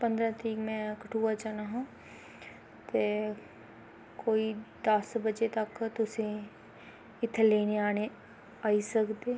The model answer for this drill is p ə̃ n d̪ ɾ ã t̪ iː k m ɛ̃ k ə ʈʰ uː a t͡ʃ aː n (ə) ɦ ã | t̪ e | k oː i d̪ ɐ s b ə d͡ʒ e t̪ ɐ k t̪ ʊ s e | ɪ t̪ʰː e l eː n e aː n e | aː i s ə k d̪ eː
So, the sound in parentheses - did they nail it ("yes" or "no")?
no